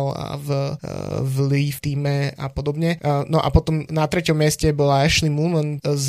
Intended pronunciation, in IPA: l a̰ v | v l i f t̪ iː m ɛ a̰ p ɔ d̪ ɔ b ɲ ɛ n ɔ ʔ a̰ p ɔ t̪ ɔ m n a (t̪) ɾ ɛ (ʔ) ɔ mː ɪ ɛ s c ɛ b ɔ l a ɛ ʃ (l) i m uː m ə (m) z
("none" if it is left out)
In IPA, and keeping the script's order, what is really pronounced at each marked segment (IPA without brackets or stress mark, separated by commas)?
t̪, c, l, n